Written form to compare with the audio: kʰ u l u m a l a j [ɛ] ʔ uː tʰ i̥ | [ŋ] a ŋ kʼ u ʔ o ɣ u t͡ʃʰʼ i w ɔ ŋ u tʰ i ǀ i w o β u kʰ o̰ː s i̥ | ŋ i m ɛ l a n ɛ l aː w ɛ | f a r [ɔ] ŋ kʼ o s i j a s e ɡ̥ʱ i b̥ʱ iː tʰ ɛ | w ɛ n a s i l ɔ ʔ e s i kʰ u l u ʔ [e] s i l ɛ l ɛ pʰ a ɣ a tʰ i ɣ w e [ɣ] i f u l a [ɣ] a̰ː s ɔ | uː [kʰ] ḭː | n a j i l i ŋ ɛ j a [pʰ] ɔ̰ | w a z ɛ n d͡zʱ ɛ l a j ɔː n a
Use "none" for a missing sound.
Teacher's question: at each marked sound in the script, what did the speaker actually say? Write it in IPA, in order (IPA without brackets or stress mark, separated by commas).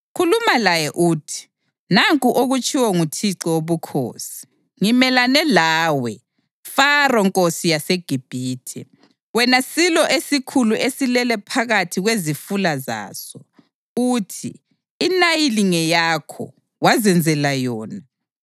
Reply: ɛ, n, ɔ, e, z, z, tʰ, kʰ